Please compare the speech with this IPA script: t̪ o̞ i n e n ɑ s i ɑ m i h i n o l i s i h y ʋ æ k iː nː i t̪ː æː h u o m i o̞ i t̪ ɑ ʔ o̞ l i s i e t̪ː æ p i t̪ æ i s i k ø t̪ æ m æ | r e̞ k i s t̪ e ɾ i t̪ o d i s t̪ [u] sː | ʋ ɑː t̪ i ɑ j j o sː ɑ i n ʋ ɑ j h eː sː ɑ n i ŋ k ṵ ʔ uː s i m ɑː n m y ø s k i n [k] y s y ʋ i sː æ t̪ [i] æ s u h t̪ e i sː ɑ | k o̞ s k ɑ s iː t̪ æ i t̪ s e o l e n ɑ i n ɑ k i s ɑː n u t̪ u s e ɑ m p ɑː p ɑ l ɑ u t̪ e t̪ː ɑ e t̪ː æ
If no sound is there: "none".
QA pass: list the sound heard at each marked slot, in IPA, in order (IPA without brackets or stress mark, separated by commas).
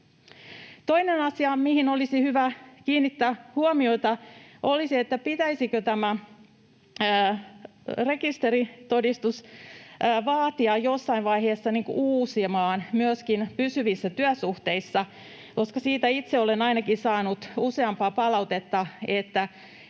u, p, y